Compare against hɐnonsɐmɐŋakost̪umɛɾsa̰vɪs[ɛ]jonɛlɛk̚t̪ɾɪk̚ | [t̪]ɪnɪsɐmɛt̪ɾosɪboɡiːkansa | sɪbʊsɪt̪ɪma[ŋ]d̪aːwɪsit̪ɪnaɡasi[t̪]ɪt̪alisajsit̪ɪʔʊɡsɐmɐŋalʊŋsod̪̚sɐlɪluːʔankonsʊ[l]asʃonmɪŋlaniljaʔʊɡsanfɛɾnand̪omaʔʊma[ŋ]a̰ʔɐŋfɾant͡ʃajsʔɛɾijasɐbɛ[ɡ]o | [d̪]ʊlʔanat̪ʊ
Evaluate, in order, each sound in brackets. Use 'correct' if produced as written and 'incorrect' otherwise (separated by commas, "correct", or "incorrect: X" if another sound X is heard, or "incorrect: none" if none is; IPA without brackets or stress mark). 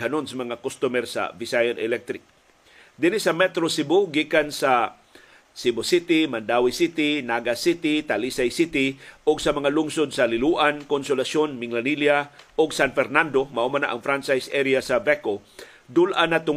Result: incorrect: a, incorrect: d̪, incorrect: n, correct, correct, incorrect: n, incorrect: k, correct